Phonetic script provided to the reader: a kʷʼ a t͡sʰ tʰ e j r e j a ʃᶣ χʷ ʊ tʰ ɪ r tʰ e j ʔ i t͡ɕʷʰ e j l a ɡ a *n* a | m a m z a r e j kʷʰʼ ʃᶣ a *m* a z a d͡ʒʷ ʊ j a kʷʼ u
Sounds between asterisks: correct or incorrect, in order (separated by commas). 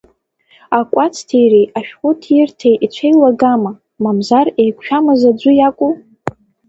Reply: incorrect, correct